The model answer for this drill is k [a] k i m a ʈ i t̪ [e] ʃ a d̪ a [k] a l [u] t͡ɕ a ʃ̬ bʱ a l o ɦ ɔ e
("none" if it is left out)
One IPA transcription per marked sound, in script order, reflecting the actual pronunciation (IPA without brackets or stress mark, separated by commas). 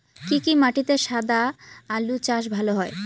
i, e, none, u